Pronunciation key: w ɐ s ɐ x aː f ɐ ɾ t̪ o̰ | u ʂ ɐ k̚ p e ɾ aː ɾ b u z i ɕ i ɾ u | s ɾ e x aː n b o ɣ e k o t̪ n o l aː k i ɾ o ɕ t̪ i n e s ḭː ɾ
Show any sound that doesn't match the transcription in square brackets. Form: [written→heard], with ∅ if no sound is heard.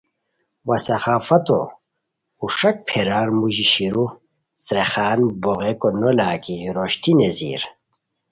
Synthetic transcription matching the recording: w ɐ s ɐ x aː f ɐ [ɾ→∅] t̪ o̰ | u ʂ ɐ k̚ [p→pʰ] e ɾ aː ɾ [b→m] u [z→ʑ] i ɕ i ɾ u | s ɾ e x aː n b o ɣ e k o [t̪→∅] n o l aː k i ɾ o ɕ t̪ i n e [s→z] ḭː ɾ